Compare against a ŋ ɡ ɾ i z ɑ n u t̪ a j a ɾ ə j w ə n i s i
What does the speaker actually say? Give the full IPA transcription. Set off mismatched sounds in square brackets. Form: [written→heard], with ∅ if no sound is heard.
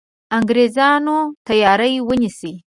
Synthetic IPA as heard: a ŋ ɡ ɾ [i→e] z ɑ n [u→o] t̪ a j [a→ɑ] ɾ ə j w ə n i s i